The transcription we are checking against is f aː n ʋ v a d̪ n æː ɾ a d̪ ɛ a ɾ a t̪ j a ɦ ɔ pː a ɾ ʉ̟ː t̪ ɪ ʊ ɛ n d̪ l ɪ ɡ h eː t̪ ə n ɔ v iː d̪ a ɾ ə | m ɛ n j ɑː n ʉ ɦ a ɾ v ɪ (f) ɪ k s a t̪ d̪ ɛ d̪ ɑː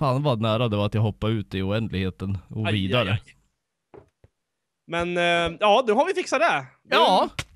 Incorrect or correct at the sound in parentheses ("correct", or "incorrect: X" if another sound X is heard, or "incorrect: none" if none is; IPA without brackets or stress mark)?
correct